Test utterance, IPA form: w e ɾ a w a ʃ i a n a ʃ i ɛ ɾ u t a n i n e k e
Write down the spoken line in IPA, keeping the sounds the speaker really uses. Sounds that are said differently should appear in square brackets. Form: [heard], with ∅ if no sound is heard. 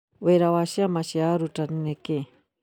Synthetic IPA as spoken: w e ɾ a w a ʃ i a [m] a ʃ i [a] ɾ u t a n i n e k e